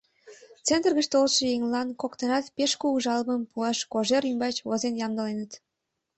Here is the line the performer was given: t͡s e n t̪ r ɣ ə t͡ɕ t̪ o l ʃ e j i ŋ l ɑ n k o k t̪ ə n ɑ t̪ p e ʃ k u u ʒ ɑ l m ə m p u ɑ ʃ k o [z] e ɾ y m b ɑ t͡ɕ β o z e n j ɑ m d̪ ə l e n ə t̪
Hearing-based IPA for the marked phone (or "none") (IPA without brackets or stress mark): ʒ